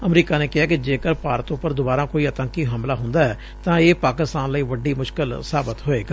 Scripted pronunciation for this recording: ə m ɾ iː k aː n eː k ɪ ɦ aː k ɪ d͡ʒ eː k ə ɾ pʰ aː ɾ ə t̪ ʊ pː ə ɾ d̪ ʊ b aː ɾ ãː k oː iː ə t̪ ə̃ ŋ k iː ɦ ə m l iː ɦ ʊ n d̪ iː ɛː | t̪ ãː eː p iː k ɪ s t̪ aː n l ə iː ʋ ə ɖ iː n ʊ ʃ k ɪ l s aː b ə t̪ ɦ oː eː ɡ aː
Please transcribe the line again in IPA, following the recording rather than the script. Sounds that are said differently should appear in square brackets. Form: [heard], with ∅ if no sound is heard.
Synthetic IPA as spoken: ə m ɾ iː k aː n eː k ɪ ɦ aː k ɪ d͡ʒ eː k ə ɾ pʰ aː ɾ ə t̪ ʊ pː ə ɾ d̪ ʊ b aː ɾ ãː k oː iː ə t̪ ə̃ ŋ k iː ɦ ə m l [aː] ɦ ʊ n d̪ [aː] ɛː | t̪ ãː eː p [aː] k ɪ s t̪ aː n l ə iː ʋ ə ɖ iː [m] ʊ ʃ k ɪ l s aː b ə t̪ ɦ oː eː ɡ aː